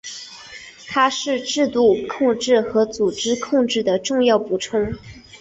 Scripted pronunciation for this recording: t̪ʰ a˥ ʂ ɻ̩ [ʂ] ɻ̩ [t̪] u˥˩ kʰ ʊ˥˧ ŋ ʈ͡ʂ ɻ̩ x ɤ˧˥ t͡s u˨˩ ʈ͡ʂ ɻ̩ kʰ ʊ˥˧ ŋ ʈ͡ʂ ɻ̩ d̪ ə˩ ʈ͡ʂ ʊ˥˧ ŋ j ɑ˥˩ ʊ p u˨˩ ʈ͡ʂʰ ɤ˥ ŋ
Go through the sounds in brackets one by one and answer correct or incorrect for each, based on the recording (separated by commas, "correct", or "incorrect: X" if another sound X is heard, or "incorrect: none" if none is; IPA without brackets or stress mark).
incorrect: ʈ͡ʂ, correct